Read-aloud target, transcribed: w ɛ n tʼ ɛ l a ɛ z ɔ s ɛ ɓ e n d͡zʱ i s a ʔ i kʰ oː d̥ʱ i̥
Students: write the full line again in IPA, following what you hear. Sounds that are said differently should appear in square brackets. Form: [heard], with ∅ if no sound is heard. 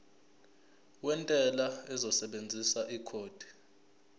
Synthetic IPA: w ɛ n tʼ ɛ l a ɛ z ɔ s ɛ ɓ e n d͡zʱ i s a ʔ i kʰ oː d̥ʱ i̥